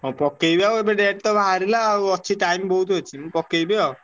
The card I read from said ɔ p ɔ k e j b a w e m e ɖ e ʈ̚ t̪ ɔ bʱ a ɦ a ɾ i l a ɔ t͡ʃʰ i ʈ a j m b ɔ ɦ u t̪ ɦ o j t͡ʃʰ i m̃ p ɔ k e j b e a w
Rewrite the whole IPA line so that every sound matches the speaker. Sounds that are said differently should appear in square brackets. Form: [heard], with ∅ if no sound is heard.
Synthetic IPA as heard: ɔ p ɔ k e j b a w e [b] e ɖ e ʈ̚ t̪ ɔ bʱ a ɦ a ɾ i l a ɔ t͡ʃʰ i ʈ a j m b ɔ ɦ u t̪ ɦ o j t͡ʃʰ i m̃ p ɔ k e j b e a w